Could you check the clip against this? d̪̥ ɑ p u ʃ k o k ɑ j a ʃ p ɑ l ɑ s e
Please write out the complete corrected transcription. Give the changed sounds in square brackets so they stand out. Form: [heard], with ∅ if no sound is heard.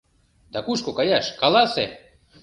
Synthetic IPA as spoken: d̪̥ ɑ [k] u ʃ k o k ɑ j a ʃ [k] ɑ l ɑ s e